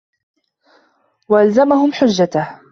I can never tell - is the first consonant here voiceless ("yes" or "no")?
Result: no